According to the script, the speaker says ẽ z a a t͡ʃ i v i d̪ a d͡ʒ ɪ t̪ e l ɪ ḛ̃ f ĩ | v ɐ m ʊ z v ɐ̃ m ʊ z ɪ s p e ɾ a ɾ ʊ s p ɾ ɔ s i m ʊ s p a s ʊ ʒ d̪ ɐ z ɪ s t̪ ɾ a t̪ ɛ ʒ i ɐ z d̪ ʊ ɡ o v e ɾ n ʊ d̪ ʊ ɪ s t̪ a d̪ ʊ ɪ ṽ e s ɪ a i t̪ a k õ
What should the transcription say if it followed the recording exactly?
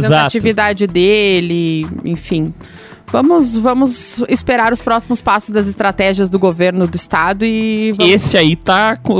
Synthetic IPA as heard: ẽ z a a t͡ʃ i v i d̪ a d͡ʒ ɪ d̪ e l ɪ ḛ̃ f ĩ | v ɐ̃ m ʊ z v ɐ̃ m ʊ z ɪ s p e ɾ a ɾ ʊ s p ɾ ɔ s i m ʊ s p a s ʊ z d̪ ɐ z ɪ s t̪ ɾ a t̪ ɛ ʒ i ɐ z d̪ ʊ ɡ o v e ɾ n ʊ d̪ ʊ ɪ s t̪ a d̪ ʊ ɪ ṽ e s ɪ a i t̪ a k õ